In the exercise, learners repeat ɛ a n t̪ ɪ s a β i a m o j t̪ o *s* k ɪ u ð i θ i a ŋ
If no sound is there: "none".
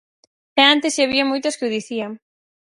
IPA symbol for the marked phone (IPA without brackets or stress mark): s